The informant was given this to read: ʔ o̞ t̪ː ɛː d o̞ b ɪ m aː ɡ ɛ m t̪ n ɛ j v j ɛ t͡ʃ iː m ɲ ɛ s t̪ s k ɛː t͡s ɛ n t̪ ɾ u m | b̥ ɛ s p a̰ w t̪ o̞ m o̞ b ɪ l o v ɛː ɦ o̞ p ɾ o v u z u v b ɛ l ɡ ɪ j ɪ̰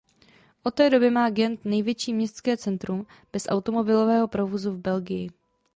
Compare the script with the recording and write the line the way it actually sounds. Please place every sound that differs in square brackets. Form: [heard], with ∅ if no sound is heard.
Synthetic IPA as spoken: ʔ o̞ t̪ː ɛː d o̞ b ɪ m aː ɡ ɛ [n] t̪ n ɛ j v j ɛ t͡ʃ iː m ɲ ɛ s t̪ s k ɛː t͡s ɛ n t̪ ɾ u m | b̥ ɛ s [ʔ] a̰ w t̪ o̞ m o̞ b ɪ l o v ɛː ɦ o̞ p ɾ o v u z u v b ɛ l ɡ ɪ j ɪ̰